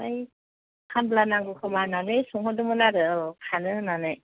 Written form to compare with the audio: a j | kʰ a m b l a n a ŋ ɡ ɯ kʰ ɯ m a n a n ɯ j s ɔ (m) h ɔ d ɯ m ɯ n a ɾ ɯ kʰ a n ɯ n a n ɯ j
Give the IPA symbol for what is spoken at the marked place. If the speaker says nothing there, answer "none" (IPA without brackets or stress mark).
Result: ŋ